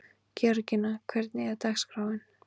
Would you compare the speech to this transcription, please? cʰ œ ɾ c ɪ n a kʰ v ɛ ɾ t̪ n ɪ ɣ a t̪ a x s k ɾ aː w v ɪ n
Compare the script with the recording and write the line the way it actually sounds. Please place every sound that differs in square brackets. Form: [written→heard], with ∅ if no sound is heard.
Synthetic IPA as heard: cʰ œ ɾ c ɪ n a kʰ v ɛ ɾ t̪ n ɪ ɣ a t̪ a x s k ɾ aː w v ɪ n